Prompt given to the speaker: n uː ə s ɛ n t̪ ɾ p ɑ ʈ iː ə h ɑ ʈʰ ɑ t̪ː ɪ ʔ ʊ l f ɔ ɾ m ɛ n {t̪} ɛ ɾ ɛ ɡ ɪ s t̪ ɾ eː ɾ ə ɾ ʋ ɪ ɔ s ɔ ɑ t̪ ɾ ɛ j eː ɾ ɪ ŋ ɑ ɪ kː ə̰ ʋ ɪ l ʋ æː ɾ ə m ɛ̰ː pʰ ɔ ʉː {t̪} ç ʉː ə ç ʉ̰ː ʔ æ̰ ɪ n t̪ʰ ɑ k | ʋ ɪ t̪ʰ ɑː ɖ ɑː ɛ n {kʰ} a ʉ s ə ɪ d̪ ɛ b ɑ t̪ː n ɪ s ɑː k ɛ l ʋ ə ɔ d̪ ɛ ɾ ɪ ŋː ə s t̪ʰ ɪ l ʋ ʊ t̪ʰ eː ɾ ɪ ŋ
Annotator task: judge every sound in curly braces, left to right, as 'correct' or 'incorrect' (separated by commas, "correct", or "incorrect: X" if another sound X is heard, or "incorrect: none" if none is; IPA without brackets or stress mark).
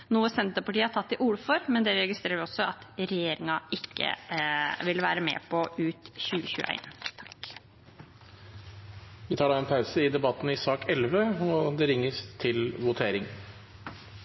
incorrect: d̪, correct, incorrect: pʰ